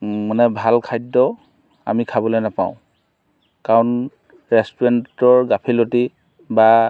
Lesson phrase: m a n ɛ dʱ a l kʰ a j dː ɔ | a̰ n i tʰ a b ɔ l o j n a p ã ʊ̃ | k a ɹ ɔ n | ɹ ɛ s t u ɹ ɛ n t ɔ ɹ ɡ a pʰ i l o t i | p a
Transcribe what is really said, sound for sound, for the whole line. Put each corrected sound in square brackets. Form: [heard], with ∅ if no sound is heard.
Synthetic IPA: m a n ɛ [bʱ] a l kʰ a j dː ɔ | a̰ [m] i [kʰ] a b ɔ l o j n a p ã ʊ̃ | k a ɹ ɔ n | ɹ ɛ s t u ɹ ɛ n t ɔ ɹ ɡ a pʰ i l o t i | [b] a